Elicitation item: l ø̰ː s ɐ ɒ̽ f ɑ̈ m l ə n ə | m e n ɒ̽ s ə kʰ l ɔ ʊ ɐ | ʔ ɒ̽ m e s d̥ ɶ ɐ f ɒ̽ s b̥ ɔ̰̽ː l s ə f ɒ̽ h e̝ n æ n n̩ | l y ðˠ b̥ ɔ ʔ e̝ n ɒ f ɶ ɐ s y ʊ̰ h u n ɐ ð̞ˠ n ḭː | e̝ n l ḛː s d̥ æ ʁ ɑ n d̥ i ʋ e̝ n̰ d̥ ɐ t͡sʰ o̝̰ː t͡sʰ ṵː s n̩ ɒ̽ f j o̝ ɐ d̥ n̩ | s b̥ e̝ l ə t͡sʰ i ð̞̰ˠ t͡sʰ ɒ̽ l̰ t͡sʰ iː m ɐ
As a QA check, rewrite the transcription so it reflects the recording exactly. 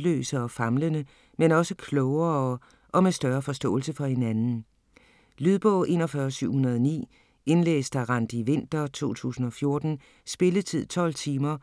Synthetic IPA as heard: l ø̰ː s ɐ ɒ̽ f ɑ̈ m l ə n ə | m e n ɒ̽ s ə kʰ l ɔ ʊ ɐ | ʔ ɒ̽ m e s d̥ ɶ ɐ f ɒ̽ s d̥ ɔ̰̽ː l s ə f ɒ̽ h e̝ n æ n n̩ | l y ðˠ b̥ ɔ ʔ e̝ n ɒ f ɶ ɐ s y ʊ̰ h u n ɐ ð̞ˠ n ḭː | e̝ n l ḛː s d̥ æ ʁ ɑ n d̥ i ʋ e̝ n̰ d̥ ɐ t͡sʰ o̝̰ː t͡sʰ ṵː s n̩ ɒ̽ f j o̝ ɐ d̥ n̩ | s b̥ e̝ l ə t͡sʰ i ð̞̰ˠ t͡sʰ ɒ̽ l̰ t͡sʰ iː m ɐ

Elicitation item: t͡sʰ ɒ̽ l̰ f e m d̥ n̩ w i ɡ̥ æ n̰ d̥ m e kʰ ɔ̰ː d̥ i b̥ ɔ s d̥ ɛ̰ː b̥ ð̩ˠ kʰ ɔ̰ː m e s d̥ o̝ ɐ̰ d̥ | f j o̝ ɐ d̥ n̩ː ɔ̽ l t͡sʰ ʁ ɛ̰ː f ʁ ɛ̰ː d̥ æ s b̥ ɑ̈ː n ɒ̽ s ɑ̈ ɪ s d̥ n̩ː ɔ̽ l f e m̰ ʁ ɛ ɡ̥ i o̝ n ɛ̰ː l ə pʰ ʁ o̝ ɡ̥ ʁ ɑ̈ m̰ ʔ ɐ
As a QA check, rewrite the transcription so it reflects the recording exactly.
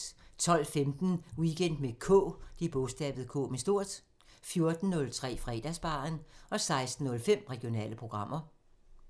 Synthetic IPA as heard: t͡sʰ ɒ̽ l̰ f e m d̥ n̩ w i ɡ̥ e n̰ d̥ m e kʰ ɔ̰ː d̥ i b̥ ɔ s d̥ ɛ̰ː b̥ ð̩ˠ kʰ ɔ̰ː m e s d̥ o̝ ɐ̰ d̥ | f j o̝ ɐ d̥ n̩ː ɔ̽ l t͡sʰ ʁ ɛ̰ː f ʁ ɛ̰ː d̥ æ s b̥ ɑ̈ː n ɒ̽ s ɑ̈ ɪ s d̥ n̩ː ɔ̽ l f e m̰ ʁ ɛ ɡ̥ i o̝ n ɛ̰ː l ə pʰ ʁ o̝ ɡ̥ ʁ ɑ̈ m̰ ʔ ɐ

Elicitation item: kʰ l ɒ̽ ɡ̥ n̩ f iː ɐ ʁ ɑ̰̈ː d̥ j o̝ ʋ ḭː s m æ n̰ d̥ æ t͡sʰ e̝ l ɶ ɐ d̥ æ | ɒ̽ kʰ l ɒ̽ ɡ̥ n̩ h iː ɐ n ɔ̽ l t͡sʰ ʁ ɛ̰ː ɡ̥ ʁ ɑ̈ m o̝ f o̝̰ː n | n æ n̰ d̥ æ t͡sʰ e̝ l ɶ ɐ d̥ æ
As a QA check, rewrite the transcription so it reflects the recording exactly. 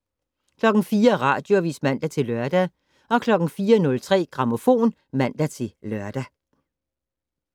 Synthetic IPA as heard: kʰ l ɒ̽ ɡ̥ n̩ f iː ɐ ʁ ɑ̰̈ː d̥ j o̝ ʋ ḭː s m æ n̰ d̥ æ t͡sʰ e̝ l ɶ ɐ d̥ æ | ɒ̽ kʰ l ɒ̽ ɡ̥ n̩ f iː ɐ n ɔ̽ l t͡sʰ ʁ ɛ̰ː ɡ̥ ʁ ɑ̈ m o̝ f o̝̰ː n | m æ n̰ d̥ æ t͡sʰ e̝ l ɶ ɐ d̥ æ

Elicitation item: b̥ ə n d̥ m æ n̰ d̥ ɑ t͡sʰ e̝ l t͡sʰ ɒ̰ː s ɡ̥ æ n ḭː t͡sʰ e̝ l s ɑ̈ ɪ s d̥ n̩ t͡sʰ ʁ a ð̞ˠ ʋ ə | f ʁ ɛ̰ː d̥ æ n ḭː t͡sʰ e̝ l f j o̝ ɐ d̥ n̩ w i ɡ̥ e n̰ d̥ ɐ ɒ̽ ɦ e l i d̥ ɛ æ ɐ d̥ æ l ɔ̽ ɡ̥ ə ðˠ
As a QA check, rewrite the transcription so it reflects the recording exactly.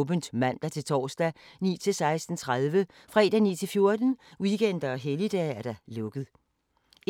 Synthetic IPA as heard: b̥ ə n d̥ m æ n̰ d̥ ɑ t͡sʰ e̝ l t͡sʰ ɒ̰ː s d̥ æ n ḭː t͡sʰ e̝ l s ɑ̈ ɪ s d̥ n̩ t͡sʰ ʁ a ð̞ˠ ʋ ə | f ʁ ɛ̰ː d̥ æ n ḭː t͡sʰ e̝ l f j o̝ ɐ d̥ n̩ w i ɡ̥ e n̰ d̥ ɐ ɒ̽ ɦ e l i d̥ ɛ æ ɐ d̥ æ l ɔ̽ ɡ̥ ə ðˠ

